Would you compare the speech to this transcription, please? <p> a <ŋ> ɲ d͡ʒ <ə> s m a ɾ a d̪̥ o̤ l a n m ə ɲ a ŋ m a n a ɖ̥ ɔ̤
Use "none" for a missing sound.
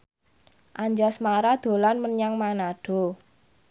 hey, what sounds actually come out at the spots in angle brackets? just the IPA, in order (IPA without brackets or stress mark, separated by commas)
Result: ʔ, none, a